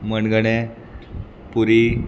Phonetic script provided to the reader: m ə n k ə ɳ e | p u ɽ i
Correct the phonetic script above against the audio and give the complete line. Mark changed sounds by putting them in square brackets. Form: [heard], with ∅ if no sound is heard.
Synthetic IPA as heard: m ə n [ɡ] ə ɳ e | p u [ɾ] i